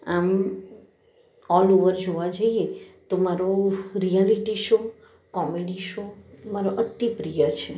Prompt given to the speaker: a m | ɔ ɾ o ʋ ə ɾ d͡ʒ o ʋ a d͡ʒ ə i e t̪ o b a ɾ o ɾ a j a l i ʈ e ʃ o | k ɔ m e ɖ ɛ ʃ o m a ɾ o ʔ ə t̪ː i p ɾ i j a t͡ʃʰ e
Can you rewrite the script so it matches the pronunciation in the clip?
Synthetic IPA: a m | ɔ l o ʋ ə ɾ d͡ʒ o ʋ a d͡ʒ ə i e t̪ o m a ɾ o ɾ i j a l i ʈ i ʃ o | k ɔ m e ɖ i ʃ o m a ɾ o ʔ ə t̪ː i p ɾ i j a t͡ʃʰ e